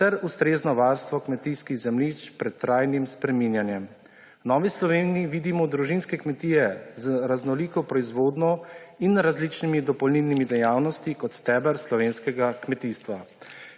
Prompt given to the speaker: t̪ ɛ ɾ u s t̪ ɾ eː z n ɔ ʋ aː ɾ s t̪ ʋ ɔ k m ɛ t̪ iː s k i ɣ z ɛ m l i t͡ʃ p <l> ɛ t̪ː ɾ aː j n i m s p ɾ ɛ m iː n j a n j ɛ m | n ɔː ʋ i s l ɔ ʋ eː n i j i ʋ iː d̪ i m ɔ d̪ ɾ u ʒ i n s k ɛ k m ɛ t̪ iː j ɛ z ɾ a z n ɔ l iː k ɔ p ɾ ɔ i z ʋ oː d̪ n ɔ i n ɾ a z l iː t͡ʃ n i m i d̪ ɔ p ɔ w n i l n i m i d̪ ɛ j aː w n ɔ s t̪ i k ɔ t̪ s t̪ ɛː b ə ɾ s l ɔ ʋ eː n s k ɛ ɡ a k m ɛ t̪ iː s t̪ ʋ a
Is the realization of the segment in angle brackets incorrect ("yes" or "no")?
yes